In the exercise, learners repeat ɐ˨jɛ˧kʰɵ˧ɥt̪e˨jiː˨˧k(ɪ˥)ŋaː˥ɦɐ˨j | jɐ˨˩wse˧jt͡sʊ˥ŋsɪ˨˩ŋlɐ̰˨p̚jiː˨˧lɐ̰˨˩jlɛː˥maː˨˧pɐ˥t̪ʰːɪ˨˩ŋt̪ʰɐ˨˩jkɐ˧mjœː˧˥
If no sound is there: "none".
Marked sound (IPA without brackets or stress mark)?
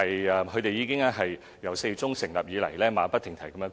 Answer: ɪ˥